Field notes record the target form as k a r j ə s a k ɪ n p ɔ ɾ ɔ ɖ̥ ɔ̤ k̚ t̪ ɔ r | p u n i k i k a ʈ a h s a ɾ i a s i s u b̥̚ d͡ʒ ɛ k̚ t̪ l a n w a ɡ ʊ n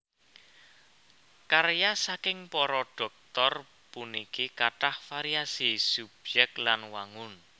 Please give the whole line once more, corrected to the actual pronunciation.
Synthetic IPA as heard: k a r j a s a k ɪ ŋ p ɔ ɾ ɔ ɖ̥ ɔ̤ k̚ t̪ ɔ r | p u n i k i k a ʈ a h f a ɾ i a s i s u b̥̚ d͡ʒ ɛ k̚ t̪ l a n w a ŋ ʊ n